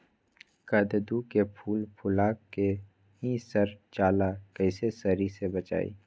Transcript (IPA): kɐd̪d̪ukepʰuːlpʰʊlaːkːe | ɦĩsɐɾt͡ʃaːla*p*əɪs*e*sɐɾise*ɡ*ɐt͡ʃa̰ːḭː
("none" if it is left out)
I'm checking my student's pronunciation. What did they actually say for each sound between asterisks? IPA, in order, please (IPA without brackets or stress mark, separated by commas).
k, e, b